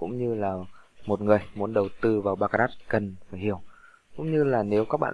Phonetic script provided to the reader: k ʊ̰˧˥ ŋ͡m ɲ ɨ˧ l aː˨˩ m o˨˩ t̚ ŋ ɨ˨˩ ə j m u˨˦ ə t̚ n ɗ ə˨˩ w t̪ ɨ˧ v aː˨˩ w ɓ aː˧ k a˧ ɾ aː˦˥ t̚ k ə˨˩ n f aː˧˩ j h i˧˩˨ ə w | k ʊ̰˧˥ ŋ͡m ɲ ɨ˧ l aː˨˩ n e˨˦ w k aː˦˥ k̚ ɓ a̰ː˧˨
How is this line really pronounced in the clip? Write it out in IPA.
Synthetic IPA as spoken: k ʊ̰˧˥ ŋ͡m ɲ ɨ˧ l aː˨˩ m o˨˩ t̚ ŋ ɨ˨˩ ə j m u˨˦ ə n ɗ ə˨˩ w t̪ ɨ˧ v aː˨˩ w ɓ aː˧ k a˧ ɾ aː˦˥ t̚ k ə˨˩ n f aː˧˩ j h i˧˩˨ ə w | k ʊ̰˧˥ ŋ͡m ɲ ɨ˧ l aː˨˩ n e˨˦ w k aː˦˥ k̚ ɓ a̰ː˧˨

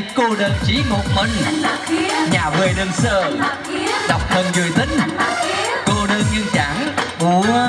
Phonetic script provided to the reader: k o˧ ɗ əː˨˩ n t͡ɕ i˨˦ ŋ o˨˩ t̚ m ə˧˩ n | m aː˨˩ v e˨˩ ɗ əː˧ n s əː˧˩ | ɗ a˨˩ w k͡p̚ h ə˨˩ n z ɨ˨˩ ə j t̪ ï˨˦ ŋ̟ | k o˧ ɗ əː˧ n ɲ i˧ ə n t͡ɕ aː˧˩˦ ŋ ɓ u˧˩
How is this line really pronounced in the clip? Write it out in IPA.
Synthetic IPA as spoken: k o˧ ɗ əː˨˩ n t͡ɕ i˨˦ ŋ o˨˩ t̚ m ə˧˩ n | ɲ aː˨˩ v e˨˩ ɗ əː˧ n s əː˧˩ | ɗ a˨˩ w k͡p̚ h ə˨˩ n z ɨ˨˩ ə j t̪ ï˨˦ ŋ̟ | k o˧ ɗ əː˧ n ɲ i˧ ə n t͡ɕ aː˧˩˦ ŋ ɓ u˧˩

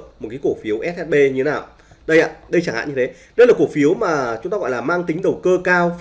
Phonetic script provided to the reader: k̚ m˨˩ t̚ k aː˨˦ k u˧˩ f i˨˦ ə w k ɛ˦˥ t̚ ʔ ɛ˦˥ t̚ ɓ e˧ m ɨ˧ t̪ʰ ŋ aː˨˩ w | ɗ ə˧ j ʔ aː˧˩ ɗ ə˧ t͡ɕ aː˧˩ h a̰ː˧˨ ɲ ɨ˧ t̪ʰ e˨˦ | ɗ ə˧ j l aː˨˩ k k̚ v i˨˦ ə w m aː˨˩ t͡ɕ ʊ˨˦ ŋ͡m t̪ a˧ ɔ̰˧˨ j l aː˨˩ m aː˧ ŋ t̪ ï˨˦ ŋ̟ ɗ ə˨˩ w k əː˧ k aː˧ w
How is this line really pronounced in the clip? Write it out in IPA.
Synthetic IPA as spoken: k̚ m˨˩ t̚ k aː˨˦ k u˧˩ f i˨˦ ə w ʔ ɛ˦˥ t̚ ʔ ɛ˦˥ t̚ ɓ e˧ ɲ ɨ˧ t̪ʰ n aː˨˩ w | ɗ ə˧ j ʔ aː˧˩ ɗ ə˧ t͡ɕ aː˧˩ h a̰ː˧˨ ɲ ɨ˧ t̪ʰ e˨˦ | ɗ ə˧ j l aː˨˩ k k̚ f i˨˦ ə w m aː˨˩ t͡ɕ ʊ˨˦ ŋ͡m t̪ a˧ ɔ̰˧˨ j l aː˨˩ m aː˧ ŋ t̪ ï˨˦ ŋ̟ ɗ ə˨˩ w k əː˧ k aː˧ w

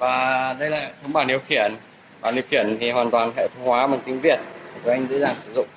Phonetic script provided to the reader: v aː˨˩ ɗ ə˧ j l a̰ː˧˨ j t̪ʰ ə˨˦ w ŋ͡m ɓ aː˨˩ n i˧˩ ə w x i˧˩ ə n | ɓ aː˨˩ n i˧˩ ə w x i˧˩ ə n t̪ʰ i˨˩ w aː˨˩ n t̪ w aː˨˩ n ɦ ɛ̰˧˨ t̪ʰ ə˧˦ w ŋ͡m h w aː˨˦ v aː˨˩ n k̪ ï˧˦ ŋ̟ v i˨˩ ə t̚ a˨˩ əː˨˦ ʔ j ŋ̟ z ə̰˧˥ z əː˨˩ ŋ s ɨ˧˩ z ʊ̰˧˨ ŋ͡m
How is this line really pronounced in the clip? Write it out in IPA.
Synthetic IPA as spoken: v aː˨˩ ɗ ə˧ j l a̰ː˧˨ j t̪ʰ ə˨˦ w ŋ͡m ɓ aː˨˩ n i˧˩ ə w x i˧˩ ə n | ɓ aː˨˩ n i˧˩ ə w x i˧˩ ə n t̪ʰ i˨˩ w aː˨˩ n t̪ w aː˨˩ n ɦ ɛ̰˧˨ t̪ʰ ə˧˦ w ŋ͡m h w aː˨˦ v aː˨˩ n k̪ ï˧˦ ŋ̟ v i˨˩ ə t̚ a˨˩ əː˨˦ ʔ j ŋ̟ z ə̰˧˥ z aː˨˩ ŋ s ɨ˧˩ z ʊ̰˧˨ ŋ͡m

